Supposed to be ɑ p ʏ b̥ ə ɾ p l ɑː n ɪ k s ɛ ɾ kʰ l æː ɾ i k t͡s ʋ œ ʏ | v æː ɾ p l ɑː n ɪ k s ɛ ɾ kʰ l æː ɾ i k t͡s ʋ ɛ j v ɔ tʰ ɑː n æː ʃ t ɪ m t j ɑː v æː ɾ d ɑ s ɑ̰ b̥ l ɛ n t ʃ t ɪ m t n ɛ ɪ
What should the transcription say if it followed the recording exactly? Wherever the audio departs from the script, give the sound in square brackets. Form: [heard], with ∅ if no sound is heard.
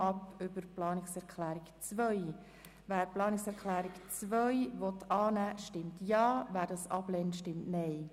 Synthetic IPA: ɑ p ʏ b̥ ə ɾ p l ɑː n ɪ k s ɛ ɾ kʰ l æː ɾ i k t͡s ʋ œ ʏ | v æː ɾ p l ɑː n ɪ k s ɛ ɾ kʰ l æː ɾ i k t͡s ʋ [œ] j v ɔ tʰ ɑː n æː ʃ t ɪ m t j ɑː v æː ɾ d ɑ s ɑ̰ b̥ l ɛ n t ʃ t ɪ m t n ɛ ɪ